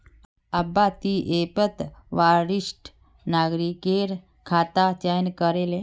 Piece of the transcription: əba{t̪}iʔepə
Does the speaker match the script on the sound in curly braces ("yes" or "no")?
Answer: yes